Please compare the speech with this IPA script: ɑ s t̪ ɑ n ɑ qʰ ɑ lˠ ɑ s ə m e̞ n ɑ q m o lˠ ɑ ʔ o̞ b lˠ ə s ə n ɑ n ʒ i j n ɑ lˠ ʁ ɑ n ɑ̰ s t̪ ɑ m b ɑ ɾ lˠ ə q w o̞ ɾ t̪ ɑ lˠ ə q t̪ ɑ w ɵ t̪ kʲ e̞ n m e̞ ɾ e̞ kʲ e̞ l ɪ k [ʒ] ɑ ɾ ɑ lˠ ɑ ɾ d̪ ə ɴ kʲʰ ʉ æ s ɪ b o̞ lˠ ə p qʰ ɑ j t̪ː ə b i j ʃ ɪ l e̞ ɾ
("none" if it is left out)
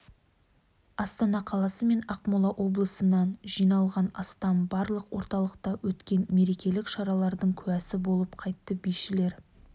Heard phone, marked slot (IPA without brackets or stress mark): ʃ